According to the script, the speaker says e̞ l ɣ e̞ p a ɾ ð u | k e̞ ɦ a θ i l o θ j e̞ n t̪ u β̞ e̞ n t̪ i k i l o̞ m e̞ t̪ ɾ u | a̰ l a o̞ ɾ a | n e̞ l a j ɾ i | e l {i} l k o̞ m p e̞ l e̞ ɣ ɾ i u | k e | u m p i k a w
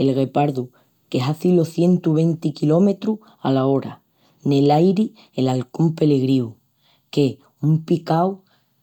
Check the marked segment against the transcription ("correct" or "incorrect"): incorrect